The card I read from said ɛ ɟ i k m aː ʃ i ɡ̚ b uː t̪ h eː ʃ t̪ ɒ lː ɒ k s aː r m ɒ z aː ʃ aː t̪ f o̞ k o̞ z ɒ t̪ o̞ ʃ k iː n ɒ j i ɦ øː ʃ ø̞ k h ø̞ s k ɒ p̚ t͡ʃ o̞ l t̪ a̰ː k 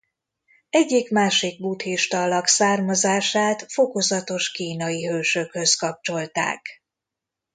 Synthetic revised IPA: ɛ ɟː i k m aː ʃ i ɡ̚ b uː t̪ h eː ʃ t̪ ɒ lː ɒ k s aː r m ɒ z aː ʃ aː t̪ f o̞ k o̞ z ɒ t̪ o̞ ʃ k iː n ɒ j i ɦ øː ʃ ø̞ k h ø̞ s k ɒ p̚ t͡ʃ o̞ l t̪ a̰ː k